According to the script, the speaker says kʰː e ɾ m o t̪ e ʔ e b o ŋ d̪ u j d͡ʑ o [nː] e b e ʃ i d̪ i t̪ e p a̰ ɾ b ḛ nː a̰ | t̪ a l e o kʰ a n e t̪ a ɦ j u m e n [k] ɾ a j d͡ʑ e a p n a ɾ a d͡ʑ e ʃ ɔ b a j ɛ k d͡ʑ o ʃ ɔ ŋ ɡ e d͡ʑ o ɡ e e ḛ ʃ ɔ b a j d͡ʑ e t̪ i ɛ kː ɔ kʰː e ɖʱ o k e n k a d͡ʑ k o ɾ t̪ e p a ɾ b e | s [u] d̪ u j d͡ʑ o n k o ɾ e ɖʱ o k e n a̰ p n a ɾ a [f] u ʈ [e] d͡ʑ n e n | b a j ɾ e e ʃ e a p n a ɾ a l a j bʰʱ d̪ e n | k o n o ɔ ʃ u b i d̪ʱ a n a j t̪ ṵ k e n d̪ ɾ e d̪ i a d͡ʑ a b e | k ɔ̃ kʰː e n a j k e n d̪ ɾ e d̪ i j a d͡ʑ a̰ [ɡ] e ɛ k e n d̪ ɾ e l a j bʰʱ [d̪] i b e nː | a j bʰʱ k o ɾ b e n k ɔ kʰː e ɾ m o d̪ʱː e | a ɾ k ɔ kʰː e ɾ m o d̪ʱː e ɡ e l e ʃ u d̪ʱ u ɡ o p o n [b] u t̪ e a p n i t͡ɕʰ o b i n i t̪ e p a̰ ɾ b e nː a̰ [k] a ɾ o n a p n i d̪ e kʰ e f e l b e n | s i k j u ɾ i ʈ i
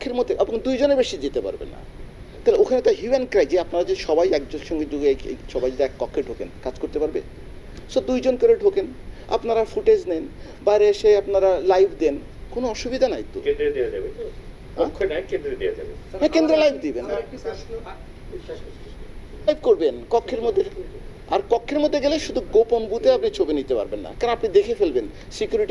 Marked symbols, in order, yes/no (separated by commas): no, yes, no, yes, yes, no, yes, yes, yes